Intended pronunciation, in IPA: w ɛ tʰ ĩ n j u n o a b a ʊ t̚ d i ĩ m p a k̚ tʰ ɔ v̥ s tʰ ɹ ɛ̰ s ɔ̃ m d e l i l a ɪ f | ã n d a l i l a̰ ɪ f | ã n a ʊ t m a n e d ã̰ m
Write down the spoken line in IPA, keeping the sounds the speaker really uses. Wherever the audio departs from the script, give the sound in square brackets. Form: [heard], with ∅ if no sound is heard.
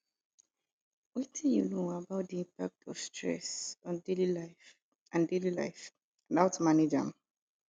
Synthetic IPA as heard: w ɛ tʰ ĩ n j u n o a b a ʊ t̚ d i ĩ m p a k̚ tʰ ɔ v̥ s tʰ ɹ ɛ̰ s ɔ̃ [n] d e l i l a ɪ f | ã n d [e] l i l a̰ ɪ f | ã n a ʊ t m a n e [d͡ʒ] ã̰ m